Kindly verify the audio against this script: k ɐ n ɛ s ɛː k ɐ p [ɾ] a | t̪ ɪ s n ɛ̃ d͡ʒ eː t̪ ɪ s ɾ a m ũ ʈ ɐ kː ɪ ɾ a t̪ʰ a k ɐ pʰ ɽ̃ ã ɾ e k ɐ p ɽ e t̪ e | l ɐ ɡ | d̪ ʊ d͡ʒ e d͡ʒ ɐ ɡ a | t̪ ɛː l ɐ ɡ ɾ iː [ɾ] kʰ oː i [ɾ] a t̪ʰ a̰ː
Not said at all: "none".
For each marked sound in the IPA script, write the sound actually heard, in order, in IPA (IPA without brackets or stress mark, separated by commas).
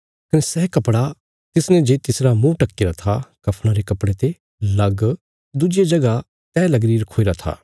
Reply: ɽ, ɾ, ɾ